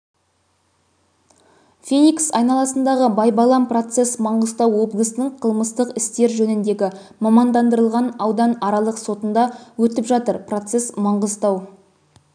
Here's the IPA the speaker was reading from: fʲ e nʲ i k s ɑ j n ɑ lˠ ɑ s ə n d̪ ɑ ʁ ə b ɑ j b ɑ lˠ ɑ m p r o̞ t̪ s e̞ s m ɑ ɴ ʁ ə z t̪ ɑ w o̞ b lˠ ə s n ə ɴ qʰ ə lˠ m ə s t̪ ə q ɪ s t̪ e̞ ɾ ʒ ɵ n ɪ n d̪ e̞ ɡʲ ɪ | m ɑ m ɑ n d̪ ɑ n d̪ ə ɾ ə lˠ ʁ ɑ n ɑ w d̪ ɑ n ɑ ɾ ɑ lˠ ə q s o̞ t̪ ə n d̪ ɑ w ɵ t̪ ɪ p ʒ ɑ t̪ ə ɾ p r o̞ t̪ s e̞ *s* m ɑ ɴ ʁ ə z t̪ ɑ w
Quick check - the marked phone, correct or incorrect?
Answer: correct